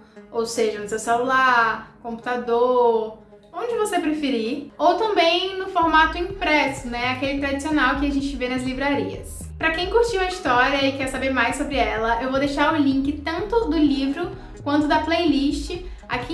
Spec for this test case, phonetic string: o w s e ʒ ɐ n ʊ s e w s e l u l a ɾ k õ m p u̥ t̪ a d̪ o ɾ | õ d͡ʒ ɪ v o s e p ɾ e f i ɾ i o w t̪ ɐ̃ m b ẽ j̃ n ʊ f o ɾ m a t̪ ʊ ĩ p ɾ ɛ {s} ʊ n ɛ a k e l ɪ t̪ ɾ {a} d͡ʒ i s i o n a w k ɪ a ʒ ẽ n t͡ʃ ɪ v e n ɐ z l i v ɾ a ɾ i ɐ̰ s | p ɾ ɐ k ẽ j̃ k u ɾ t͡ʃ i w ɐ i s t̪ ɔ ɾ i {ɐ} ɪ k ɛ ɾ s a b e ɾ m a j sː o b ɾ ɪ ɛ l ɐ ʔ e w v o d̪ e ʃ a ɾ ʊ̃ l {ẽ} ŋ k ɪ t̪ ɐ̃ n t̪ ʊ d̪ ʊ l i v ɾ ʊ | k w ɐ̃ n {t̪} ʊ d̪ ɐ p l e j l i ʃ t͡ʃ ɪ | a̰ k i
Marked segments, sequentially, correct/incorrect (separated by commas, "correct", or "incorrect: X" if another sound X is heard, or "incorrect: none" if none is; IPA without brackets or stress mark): correct, correct, correct, incorrect: ĩ, correct